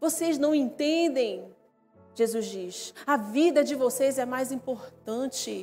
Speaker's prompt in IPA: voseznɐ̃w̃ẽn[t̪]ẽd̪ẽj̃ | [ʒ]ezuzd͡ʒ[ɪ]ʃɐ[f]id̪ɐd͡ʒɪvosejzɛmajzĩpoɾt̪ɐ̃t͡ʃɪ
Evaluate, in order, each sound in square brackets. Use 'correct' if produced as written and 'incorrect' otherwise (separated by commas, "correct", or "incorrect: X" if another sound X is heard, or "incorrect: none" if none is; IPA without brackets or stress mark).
correct, correct, incorrect: i, incorrect: v